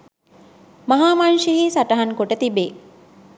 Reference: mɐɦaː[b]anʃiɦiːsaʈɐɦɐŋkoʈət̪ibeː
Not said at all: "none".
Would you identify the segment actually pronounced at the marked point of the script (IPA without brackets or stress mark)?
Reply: m